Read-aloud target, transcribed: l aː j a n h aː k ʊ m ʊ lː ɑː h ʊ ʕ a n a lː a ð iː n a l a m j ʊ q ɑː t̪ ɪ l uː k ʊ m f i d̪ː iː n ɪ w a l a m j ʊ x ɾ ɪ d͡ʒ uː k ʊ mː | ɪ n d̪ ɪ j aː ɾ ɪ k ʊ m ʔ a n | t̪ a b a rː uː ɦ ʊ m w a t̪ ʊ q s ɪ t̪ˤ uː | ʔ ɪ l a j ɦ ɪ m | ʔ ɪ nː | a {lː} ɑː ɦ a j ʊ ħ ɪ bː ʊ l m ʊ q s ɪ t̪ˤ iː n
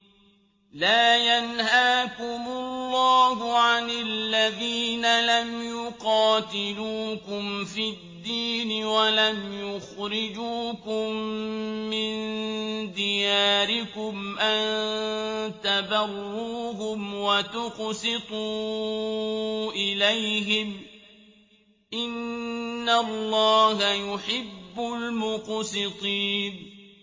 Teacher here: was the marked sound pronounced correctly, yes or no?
yes